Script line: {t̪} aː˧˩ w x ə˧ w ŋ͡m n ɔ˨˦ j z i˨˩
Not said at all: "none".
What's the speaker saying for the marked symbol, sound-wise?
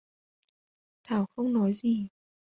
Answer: t̪ʰ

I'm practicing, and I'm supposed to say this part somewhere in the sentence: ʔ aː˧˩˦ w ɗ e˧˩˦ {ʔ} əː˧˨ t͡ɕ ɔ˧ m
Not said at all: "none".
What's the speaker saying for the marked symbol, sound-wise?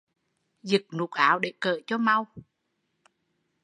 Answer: k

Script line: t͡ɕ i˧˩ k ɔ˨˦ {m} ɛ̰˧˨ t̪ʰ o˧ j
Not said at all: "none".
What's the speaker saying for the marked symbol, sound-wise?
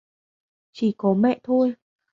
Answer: m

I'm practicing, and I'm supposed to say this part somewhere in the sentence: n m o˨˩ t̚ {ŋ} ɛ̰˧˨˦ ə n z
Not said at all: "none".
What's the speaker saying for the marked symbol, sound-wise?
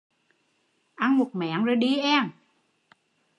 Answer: m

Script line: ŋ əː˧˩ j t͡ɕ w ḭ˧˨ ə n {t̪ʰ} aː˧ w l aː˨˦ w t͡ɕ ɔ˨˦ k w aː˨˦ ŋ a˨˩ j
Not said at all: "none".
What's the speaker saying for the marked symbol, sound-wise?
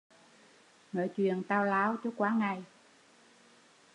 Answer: t̪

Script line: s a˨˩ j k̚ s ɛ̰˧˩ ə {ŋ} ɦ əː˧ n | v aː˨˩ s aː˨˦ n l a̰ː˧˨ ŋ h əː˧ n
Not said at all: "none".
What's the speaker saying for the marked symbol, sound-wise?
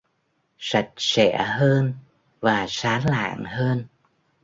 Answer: none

